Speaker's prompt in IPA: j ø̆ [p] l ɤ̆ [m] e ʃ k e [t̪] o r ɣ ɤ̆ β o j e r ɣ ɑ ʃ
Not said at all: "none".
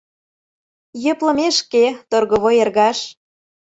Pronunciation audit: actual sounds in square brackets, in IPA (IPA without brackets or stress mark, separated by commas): p, m, t̪